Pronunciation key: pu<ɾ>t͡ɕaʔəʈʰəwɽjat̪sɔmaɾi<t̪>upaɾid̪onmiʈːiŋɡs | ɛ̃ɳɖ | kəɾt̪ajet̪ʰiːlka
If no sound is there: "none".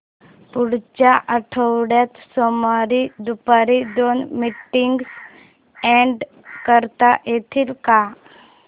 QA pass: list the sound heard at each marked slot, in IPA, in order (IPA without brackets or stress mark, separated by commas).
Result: ɽ, d̪